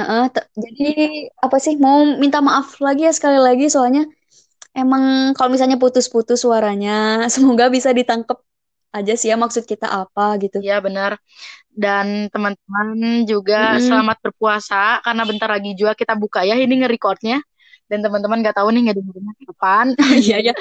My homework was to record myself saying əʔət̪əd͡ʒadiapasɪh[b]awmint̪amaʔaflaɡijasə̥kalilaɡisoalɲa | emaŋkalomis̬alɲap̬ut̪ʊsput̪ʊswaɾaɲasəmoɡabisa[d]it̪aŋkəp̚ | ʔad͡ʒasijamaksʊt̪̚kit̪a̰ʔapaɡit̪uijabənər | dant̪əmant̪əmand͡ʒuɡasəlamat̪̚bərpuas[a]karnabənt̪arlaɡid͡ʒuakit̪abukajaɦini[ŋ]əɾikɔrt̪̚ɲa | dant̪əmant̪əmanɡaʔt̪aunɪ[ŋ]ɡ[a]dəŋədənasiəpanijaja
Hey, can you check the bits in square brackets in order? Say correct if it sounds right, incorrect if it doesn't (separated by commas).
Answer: incorrect, correct, correct, correct, correct, correct